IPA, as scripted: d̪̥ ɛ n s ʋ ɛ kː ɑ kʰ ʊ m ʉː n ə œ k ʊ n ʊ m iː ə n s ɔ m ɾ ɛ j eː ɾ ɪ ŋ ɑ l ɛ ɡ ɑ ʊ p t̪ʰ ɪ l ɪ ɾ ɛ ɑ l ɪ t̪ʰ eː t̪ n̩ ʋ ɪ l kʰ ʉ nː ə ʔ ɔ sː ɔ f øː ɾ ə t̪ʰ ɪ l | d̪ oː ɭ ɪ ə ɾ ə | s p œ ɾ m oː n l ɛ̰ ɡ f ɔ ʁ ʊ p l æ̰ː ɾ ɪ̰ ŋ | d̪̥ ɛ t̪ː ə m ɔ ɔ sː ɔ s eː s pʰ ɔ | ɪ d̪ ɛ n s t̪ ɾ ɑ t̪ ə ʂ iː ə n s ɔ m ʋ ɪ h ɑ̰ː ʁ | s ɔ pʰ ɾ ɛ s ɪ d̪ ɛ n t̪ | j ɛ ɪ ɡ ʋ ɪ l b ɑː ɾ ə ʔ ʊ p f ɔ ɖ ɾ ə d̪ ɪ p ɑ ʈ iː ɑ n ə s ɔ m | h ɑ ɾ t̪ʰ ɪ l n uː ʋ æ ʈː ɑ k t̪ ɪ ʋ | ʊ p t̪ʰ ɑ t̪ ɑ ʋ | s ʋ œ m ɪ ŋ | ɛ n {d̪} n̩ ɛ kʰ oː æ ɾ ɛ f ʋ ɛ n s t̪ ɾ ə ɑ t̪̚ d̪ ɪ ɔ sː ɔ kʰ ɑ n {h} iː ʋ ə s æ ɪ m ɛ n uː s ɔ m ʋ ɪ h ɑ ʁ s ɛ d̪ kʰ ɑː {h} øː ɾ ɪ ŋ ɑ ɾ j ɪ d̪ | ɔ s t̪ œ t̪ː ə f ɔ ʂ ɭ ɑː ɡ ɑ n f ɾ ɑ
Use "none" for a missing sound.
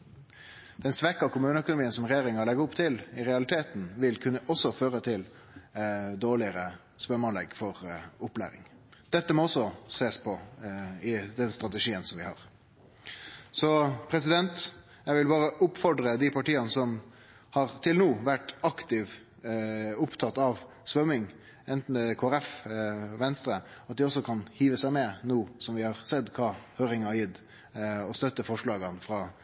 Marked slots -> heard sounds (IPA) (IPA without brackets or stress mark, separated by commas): t̪, h, h